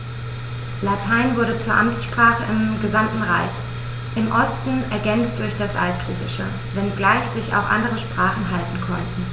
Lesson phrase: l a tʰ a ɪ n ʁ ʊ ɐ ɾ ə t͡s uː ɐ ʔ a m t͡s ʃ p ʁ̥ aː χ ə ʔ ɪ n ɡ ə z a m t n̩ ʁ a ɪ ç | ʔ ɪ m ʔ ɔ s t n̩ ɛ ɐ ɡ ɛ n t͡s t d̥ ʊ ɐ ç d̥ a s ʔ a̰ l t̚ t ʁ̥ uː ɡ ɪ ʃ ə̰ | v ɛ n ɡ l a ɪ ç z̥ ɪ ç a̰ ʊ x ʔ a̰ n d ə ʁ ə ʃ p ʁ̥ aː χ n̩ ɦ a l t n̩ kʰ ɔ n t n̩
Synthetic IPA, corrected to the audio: l a tʰ a ɪ n v ʊ ɐ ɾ ə t͡s uː ɐ ʔ a m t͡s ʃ p ʁ̥ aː χ ə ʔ ɪ m ɡ ə z a m t n̩ ʁ a ɪ ç | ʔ ɪ m ʔ ɔ s t n̩ ɛ ɐ ɡ ɛ n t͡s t d̥ ʊ ɐ ç d̥ a s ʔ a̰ l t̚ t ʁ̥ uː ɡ ɪ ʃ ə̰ | v ɛ n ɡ l a ɪ ç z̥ ɪ ç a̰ ʊ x ʔ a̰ n d ə ʁ ə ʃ p ʁ̥ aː χ n̩ ɦ a l t n̩ kʰ ɔ n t n̩